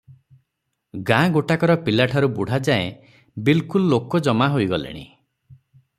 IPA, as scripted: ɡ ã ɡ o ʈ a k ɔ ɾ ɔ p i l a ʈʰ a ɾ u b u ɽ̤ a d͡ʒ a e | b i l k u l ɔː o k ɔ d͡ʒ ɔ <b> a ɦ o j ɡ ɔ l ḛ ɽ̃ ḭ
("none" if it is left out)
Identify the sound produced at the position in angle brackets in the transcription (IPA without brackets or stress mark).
m